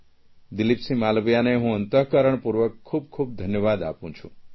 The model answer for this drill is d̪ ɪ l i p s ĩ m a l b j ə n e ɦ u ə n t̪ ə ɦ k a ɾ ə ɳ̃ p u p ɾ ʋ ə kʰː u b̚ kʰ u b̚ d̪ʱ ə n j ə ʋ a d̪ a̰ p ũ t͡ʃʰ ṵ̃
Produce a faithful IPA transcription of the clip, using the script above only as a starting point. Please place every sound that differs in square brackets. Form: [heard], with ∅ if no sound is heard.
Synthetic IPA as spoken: d̪ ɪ l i p s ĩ m a l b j [a] n e ɦ [ũ] ə n t̪ ə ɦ k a ɾ ə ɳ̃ p u [∅] ɾ ʋ ə kʰː u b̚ kʰ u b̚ d̪ʱ ə n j ə ʋ a d̪ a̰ p ũ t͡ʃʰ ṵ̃